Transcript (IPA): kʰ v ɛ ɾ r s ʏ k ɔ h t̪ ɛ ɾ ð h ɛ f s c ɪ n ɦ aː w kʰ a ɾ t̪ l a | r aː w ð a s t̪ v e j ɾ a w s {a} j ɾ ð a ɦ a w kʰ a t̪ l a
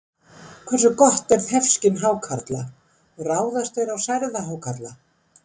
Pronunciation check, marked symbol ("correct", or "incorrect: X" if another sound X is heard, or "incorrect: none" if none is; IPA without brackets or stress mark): correct